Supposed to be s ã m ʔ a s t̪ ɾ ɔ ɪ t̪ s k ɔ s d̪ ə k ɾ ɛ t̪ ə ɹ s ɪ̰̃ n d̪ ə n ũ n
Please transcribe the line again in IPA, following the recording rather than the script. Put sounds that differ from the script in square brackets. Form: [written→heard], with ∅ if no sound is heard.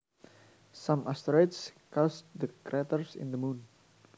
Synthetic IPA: s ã m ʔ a s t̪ ɾ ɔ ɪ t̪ s k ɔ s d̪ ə k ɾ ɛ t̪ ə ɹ s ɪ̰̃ n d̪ ə [n→m] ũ n